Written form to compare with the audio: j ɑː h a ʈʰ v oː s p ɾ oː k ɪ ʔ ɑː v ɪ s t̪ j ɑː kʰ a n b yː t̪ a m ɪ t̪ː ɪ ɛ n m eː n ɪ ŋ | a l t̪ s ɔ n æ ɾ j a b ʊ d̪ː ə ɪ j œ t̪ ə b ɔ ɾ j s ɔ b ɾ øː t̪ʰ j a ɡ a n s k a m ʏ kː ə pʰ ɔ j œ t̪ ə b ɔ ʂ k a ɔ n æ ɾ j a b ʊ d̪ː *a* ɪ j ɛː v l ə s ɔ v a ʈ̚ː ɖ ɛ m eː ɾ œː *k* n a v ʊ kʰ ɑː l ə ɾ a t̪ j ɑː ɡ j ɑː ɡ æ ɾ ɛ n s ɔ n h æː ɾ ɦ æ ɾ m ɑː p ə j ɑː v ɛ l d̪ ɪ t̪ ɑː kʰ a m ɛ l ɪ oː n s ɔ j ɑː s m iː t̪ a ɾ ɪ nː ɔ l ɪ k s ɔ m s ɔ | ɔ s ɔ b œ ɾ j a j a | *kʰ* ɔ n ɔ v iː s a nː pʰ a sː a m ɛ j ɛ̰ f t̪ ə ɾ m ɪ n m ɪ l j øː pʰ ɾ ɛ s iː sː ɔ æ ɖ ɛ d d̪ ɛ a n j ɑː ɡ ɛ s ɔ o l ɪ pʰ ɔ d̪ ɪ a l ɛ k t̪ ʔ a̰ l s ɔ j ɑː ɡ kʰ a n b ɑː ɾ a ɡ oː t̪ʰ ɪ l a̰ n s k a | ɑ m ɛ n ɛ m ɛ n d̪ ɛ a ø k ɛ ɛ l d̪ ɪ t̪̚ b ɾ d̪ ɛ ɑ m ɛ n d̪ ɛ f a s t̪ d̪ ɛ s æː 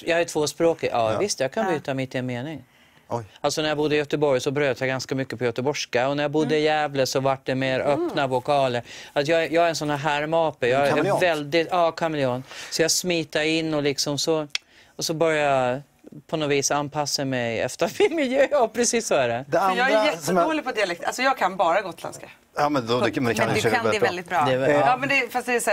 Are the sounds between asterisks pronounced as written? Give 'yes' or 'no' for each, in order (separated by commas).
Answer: no, no, no